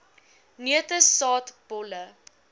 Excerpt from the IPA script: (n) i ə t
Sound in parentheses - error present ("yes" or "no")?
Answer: no